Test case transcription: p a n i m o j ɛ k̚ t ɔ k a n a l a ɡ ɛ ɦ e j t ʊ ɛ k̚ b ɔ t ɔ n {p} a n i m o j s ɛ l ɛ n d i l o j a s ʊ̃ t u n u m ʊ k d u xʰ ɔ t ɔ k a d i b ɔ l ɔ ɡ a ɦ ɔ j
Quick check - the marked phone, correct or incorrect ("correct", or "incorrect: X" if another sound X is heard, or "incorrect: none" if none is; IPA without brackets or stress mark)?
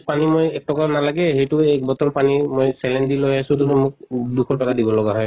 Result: correct